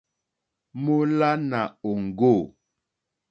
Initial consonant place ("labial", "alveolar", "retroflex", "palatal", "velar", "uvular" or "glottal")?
labial